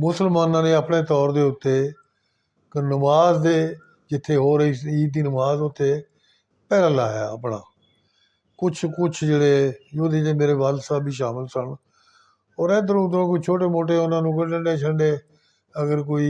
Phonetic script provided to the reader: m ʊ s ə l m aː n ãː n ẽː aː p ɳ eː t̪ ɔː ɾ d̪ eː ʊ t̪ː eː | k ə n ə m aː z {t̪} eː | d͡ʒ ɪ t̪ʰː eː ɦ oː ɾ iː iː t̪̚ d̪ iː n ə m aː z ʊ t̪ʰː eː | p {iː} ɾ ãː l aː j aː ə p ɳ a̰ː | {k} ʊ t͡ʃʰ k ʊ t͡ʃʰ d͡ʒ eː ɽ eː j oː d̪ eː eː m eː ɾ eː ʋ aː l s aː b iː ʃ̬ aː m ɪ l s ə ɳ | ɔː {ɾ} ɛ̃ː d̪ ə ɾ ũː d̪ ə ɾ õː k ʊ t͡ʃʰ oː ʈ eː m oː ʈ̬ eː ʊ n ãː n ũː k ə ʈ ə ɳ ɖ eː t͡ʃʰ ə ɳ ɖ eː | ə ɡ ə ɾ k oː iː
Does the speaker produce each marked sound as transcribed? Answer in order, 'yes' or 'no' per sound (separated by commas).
no, no, yes, yes